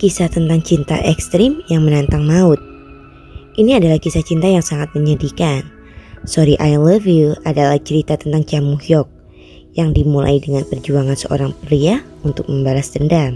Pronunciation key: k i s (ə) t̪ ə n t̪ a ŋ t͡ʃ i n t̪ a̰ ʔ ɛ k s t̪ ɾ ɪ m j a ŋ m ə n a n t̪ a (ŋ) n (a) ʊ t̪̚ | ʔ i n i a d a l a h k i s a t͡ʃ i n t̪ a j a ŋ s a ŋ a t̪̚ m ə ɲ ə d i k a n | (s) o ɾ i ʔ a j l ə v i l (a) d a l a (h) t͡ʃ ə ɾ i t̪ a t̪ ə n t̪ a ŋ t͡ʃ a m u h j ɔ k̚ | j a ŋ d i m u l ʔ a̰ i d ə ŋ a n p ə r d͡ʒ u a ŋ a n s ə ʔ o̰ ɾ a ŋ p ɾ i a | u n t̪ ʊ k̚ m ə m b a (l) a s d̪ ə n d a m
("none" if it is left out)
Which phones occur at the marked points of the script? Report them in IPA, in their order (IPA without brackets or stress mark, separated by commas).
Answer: a, ŋ, a, s, a, h, l